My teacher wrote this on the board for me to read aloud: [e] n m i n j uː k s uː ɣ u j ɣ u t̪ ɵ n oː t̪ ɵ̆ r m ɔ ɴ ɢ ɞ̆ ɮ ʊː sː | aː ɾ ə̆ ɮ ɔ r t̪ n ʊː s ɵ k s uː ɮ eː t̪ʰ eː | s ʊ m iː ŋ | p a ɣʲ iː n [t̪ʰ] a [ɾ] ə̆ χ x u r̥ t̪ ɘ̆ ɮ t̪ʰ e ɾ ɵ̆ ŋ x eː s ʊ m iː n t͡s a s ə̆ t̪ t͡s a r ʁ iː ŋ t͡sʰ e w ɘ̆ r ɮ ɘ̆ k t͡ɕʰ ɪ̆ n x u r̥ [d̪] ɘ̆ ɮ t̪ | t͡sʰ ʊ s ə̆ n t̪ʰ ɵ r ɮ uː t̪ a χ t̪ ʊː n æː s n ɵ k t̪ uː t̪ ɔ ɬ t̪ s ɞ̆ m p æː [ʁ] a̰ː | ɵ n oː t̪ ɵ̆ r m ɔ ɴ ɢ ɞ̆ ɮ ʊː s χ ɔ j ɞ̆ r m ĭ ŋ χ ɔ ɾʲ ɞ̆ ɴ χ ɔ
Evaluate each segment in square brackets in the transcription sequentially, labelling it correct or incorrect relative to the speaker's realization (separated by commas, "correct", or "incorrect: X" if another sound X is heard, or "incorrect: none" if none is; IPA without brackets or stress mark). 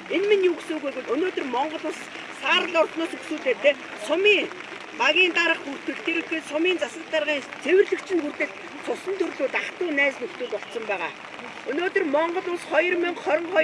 correct, incorrect: t̪, correct, incorrect: t̪, correct